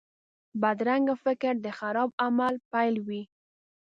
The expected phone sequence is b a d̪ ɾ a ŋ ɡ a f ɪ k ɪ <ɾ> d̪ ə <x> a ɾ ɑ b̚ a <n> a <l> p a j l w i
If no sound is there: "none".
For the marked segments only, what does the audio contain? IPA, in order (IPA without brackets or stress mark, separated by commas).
ɾ, x, m, l